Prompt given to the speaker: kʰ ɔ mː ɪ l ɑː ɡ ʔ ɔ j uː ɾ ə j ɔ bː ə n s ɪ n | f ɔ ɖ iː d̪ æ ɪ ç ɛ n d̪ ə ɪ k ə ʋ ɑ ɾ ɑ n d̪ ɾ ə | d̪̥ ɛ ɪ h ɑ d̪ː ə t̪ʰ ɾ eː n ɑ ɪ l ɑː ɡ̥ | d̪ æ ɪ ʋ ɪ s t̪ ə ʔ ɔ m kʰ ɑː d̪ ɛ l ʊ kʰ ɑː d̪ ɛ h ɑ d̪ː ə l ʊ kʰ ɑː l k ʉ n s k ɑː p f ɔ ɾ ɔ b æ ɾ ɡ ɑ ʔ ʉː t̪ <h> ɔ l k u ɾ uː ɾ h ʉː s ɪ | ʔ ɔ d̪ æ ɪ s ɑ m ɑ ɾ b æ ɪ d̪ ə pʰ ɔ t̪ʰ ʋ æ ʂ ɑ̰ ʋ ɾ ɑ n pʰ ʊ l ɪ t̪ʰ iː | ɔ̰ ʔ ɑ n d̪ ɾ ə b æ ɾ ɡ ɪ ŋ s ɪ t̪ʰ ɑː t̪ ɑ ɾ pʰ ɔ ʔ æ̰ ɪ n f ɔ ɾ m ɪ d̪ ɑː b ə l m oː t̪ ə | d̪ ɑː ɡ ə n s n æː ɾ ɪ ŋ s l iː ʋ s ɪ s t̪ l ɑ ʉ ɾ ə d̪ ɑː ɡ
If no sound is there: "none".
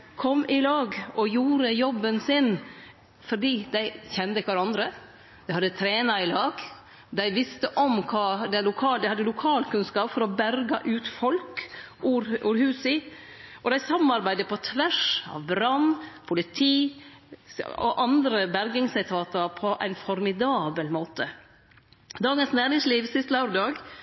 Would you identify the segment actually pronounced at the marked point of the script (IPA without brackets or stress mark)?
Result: f